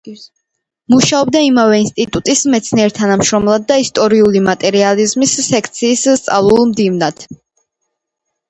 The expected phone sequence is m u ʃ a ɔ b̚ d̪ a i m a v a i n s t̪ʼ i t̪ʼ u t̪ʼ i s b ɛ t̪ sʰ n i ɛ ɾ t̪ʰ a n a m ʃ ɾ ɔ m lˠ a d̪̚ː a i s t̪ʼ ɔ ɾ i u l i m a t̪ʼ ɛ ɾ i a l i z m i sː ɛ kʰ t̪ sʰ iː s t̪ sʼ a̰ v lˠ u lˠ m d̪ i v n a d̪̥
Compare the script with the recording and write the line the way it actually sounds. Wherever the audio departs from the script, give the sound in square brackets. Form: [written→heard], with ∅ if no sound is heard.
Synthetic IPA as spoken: m u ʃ a ɔ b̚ d̪ a i m a v [a→ɛ] i n s t̪ʼ i t̪ʼ u t̪ʼ i s [b→m] ɛ t̪ sʰ n i ɛ ɾ t̪ʰ a n a m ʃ ɾ ɔ m lˠ a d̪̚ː a i s t̪ʼ ɔ ɾ i u l i m a t̪ʼ ɛ ɾ i a l i z m i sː ɛ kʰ t̪ sʰ iː s t̪ sʼ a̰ v lˠ u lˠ m d̪ i v n a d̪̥